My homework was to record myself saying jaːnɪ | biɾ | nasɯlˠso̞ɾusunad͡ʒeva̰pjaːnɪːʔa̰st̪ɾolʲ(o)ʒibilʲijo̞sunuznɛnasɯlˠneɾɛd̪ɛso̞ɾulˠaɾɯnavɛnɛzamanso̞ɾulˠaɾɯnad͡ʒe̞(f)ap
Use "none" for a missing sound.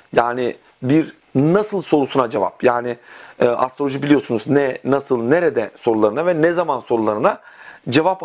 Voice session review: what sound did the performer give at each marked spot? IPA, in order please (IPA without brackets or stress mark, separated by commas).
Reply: o, v